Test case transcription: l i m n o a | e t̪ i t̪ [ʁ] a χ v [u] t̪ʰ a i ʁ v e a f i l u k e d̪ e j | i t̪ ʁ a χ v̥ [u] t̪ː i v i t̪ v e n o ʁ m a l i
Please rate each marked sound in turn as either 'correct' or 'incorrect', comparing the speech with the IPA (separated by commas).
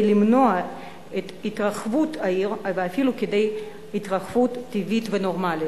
correct, correct, correct